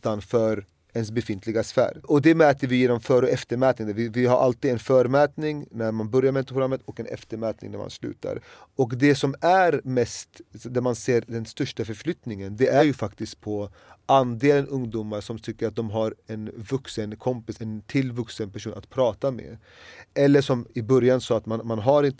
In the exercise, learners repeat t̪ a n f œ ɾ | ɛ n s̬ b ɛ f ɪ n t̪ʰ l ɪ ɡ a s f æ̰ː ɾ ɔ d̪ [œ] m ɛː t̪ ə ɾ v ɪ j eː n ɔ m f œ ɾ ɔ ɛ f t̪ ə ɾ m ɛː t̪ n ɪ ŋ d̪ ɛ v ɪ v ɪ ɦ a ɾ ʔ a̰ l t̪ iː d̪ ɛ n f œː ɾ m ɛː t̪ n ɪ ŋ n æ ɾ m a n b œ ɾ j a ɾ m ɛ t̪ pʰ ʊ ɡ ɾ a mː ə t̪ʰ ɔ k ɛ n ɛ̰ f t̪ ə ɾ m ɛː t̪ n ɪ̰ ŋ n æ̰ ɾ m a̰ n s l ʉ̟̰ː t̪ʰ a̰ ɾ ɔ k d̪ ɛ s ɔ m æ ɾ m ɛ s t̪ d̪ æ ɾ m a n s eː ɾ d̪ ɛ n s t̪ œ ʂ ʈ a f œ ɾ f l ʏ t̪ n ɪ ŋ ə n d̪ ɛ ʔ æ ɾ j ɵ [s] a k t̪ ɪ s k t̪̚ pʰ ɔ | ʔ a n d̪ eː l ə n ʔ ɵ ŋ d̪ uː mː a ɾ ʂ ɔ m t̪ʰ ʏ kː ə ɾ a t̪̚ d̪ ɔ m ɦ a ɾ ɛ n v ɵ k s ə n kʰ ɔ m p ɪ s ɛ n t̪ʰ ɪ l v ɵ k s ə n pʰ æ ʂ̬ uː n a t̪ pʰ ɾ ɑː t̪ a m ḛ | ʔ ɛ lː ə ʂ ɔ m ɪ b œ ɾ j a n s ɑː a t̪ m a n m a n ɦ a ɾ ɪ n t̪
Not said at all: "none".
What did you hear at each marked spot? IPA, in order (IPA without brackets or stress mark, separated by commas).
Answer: ɛ, f